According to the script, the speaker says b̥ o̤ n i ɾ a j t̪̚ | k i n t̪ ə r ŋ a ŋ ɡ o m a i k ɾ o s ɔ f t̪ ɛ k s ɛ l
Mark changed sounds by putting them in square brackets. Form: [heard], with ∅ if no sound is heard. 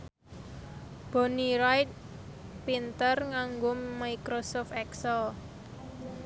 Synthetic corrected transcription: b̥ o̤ n i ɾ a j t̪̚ | [p] i n t̪ ə r ŋ a ŋ ɡ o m a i k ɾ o s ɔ f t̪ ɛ k s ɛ l